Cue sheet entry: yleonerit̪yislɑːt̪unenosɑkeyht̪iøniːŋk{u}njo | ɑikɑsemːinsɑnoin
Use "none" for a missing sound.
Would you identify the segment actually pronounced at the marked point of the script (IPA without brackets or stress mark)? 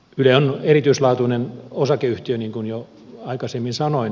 u